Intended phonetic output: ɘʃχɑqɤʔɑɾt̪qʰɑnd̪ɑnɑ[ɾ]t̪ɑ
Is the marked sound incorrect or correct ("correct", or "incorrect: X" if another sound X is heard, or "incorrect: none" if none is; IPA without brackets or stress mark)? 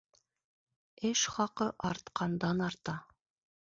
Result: correct